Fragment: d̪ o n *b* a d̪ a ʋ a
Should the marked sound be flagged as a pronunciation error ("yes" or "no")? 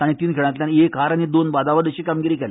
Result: no